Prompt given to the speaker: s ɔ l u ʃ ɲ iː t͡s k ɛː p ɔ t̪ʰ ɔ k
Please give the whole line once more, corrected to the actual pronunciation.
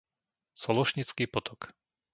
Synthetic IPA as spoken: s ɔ l ɔ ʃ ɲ i t͡s k iː p ɔ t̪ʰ ɔ k